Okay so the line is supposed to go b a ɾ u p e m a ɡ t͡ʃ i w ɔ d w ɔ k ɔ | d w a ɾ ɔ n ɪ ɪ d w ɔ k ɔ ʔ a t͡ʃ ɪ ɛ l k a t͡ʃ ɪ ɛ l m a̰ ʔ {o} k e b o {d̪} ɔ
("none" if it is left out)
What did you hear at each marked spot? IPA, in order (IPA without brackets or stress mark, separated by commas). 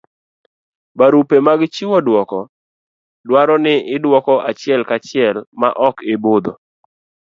ɔ, d̪